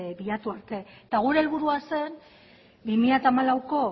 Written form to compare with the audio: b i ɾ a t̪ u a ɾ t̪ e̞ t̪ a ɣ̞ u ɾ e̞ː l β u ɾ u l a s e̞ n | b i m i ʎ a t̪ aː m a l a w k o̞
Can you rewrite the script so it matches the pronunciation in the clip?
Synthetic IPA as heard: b i ʎ a t̪ u a ɾ t̪ e̞ t̪ a ɣ̞ u ɾ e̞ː l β u ɾ u a s e̞ n | b i m i ʎ a t̪ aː m a l a w k o̞